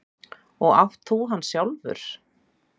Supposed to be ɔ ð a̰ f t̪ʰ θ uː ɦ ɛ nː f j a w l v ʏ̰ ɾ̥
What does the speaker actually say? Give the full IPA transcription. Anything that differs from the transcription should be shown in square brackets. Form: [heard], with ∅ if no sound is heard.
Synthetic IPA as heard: ɔ [ɣ] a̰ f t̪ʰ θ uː ɦ [a] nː [s] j a w l v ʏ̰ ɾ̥